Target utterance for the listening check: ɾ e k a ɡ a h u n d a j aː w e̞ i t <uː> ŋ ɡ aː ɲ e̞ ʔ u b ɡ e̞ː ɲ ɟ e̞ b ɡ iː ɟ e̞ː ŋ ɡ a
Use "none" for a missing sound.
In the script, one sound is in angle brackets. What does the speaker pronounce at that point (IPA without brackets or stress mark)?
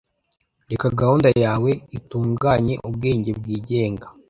uː